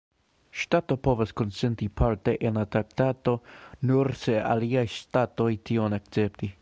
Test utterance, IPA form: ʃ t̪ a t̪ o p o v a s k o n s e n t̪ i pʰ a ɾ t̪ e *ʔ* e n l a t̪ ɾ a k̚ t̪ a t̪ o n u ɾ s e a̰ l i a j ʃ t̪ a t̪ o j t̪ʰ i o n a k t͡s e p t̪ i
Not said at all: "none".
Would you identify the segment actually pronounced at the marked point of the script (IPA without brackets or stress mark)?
ʔ